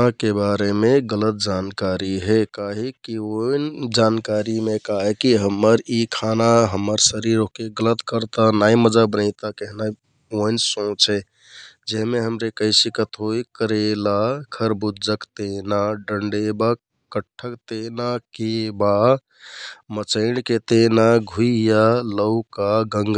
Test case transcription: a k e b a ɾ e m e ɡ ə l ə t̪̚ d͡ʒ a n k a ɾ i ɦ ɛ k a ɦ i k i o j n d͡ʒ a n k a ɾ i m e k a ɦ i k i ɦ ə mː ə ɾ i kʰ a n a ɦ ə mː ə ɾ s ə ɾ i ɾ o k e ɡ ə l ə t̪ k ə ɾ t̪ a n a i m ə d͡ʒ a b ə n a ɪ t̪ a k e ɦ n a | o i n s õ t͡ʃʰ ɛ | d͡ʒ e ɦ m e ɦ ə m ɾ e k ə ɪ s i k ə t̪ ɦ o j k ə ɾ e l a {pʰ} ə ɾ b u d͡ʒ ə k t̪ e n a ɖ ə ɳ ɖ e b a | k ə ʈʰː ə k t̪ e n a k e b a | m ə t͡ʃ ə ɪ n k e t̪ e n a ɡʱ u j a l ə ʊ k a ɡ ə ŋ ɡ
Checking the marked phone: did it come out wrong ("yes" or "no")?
yes